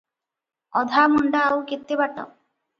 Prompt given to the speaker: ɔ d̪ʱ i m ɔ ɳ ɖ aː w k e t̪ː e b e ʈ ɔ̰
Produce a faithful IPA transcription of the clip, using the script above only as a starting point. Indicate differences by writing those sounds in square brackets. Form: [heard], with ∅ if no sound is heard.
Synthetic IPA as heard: ɔ d̪ʱ [a] m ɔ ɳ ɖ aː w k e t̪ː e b [a] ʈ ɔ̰